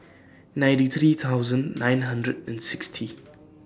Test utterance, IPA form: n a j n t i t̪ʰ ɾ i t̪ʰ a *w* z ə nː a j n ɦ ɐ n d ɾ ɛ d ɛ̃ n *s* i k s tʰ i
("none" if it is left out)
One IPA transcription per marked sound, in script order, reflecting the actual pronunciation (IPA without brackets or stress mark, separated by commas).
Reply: w, s